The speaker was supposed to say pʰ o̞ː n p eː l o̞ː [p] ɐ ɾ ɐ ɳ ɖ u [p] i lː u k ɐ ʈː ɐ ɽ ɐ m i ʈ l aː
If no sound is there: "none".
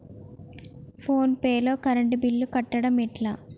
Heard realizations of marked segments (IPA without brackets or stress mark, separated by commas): k, b